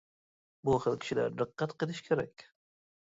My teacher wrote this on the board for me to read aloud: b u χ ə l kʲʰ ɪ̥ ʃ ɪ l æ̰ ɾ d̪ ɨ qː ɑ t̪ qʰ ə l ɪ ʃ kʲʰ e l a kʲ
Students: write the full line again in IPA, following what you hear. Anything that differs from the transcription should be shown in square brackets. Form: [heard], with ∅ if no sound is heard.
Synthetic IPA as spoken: b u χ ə l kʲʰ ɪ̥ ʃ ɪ l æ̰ ɾ d̪ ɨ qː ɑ t̪ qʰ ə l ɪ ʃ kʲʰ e [ɾ] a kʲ